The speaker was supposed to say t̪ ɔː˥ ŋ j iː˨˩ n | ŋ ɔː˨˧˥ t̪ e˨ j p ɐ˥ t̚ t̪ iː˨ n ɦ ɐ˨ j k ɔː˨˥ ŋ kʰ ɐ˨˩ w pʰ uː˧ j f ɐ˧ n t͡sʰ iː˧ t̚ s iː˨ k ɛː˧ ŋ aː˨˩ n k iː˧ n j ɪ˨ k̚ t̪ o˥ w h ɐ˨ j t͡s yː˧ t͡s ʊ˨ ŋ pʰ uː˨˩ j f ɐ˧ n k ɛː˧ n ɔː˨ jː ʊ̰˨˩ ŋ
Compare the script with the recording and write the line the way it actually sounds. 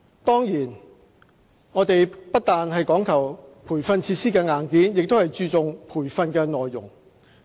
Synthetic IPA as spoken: t̪ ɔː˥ ŋ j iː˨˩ n | ŋ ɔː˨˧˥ t̪ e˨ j p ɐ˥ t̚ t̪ aː˨ n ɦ ɐ˨ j k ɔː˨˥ ŋ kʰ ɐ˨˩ w pʰ uː˨˩ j f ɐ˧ n t͡sʰ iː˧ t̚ s iː˥ k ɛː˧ ŋ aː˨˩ n k iː˨˥ n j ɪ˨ k̚ t̪ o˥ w h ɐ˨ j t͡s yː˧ t͡s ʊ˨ ŋ pʰ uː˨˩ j f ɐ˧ n k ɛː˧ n ɔː˨ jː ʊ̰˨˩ ŋ